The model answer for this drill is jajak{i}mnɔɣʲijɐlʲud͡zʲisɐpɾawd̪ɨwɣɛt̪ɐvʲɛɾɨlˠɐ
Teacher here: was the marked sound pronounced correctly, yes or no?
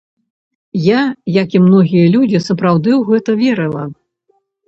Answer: yes